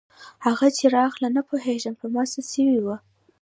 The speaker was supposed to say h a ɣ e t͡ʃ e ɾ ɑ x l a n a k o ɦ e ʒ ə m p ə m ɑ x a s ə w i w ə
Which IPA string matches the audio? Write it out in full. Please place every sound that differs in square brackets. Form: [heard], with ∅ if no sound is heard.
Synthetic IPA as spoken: h a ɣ [a] t͡ʃ e ɾ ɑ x l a n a [p] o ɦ e ʒ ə m p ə m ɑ [s] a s ə w i w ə